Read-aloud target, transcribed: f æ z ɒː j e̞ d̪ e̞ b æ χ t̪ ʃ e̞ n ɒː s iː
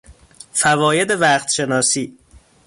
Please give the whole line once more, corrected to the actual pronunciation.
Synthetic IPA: f æ v ɒː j e̞ d̪ e̞ v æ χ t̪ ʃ e̞ n ɒː s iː